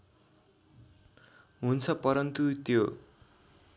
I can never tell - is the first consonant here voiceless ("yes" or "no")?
no